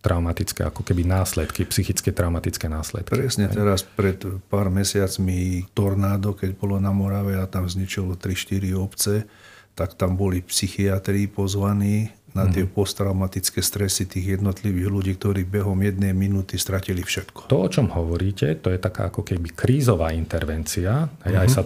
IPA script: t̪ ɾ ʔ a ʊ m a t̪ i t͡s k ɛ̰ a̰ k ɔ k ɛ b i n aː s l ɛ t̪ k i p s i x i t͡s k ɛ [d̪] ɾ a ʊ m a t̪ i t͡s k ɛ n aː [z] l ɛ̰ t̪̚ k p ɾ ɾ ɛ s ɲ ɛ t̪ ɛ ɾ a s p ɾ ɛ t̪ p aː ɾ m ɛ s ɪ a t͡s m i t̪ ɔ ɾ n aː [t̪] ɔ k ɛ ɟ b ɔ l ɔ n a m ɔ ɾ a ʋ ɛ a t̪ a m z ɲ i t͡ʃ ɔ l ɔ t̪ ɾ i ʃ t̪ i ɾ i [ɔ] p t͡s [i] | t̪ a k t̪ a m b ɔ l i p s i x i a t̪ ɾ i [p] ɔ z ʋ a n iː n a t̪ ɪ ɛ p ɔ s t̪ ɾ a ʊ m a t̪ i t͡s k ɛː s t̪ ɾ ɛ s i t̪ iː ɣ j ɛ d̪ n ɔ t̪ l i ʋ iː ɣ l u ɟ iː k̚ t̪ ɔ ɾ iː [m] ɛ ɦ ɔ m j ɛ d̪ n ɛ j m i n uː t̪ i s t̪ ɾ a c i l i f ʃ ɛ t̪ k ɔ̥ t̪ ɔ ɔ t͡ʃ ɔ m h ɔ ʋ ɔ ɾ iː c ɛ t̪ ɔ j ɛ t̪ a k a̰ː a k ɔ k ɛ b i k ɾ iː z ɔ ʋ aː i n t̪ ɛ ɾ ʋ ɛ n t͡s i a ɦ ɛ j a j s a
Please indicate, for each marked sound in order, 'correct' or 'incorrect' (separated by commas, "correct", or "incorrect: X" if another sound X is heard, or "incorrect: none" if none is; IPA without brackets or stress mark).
incorrect: t̪, incorrect: s, incorrect: d̪, correct, incorrect: ɛ, correct, incorrect: b